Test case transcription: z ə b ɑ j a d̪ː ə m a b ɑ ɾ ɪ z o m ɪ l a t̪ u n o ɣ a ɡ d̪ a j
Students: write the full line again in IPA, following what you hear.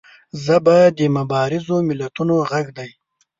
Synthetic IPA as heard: z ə b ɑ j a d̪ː ə m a b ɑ ɾ ɪ z o m ɪ l a t̪ u n o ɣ a ɡ d̪ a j